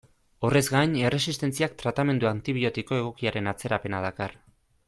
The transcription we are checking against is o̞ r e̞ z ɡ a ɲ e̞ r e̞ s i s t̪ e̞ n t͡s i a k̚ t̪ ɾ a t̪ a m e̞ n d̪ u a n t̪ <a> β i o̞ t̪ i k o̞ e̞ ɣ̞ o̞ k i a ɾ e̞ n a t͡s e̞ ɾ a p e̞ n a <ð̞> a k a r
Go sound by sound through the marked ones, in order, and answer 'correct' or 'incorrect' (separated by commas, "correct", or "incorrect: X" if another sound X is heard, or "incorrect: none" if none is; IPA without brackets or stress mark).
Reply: incorrect: i, correct